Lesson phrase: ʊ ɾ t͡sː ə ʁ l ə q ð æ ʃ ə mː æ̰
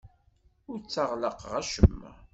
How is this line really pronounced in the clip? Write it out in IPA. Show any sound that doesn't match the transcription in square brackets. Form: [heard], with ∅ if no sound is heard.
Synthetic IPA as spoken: ʊ ɾ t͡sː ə ʁ l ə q [ʁ] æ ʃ ə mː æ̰